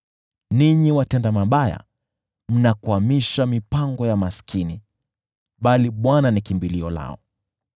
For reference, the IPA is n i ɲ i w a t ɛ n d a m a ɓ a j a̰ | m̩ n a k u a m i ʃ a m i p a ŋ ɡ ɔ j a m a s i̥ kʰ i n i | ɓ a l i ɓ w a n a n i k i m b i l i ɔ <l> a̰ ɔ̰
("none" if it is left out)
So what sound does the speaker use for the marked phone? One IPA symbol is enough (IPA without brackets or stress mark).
l